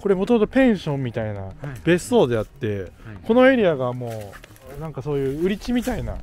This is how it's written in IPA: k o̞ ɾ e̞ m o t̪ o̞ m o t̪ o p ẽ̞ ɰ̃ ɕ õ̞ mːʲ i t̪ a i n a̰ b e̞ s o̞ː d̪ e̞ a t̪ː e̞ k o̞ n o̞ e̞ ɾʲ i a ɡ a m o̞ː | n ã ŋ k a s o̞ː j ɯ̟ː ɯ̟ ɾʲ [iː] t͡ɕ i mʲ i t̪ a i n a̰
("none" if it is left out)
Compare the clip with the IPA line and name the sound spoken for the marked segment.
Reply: i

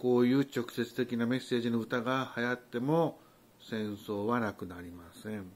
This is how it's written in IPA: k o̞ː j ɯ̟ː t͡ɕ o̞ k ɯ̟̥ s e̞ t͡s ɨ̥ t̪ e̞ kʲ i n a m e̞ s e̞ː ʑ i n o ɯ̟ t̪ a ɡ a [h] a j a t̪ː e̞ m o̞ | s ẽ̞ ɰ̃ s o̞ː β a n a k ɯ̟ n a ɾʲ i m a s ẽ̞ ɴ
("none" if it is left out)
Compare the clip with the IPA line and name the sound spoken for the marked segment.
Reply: h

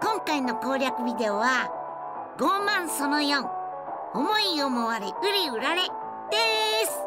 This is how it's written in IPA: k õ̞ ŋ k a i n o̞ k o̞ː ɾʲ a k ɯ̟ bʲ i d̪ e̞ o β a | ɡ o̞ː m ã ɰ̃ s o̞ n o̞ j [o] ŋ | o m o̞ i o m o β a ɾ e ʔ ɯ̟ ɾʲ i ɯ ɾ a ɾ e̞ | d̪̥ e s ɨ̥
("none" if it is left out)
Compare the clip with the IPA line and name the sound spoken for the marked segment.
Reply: õ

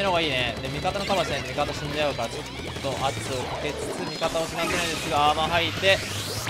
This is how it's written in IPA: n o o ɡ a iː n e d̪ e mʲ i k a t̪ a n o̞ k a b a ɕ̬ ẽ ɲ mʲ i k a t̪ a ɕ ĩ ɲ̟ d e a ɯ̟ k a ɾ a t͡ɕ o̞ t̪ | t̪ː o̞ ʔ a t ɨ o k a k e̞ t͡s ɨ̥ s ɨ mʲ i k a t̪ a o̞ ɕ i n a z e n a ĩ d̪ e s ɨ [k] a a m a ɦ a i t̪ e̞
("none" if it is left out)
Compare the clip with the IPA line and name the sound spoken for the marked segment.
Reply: ɡ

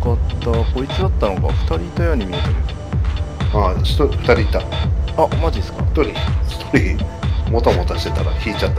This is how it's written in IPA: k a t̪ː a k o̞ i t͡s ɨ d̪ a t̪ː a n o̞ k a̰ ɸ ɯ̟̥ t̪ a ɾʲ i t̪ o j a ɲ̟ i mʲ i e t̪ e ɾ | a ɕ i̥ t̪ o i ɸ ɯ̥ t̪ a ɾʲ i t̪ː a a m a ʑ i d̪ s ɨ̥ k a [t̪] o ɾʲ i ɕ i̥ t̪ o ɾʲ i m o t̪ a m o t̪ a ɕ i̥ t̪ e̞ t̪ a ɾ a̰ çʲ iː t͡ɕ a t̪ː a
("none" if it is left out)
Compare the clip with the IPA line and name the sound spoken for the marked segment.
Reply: t̪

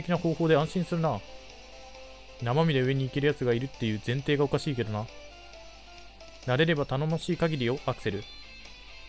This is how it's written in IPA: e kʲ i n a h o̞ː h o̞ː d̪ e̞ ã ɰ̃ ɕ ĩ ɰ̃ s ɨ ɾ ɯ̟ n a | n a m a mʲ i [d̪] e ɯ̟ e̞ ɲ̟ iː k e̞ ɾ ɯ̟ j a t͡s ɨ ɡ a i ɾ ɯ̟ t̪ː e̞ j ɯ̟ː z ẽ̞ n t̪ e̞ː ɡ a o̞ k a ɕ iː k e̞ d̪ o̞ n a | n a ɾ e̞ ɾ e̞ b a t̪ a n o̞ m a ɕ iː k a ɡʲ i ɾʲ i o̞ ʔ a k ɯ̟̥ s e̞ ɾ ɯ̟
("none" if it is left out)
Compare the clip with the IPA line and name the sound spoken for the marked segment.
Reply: d̪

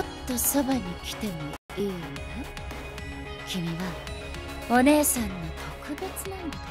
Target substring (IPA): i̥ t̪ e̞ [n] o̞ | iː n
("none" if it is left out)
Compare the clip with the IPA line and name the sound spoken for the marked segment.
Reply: m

